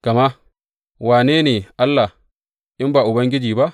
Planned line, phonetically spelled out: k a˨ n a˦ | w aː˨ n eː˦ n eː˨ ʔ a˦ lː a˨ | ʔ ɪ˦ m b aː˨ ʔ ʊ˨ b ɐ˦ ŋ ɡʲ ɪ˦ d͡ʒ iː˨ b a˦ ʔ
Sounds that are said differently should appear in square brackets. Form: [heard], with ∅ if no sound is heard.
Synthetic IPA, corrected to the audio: k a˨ [m] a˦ | w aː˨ n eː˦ n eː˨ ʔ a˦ lː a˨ | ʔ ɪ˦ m b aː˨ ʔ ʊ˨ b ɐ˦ ŋ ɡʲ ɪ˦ d͡ʒ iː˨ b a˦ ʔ